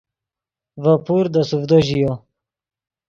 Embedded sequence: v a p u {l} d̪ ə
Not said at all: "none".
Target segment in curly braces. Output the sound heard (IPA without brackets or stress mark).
ɾ